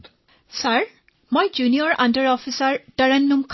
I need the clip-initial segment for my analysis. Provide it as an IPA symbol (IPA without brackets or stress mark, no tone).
s